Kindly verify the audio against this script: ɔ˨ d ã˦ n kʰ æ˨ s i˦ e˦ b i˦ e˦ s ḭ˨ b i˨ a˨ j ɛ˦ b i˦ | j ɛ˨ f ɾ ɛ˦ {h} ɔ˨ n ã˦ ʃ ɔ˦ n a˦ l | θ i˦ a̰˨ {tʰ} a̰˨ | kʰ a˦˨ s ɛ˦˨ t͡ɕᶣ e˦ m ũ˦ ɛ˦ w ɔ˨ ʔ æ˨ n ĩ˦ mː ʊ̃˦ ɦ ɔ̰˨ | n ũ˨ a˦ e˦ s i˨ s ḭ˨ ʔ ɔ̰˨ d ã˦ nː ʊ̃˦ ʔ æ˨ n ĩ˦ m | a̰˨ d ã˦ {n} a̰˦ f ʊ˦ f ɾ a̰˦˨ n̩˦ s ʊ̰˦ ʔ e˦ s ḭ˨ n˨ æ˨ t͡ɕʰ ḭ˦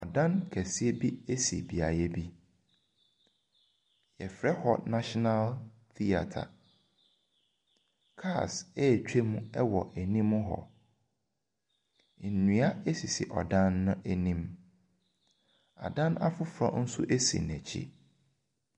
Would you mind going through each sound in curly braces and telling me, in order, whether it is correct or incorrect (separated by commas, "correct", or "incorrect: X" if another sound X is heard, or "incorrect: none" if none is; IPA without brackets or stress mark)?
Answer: correct, correct, correct